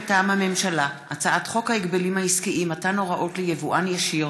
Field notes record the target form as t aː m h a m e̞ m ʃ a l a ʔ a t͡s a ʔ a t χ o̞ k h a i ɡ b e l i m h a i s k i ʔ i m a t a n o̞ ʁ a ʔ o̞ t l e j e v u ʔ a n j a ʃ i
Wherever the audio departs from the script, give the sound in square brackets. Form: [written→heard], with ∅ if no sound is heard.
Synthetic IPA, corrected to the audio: t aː m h a m e̞ m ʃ a l a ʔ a t͡s a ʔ a t χ o̞ k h a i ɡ b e l i m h a i s k i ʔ i m a t a n o̞ ʁ a ʔ o̞ t l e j e v u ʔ a n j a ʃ i